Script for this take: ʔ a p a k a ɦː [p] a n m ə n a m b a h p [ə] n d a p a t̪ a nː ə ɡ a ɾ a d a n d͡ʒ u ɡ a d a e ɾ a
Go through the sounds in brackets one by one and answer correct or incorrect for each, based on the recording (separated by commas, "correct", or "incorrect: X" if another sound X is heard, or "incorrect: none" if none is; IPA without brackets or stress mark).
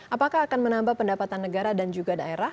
incorrect: k, correct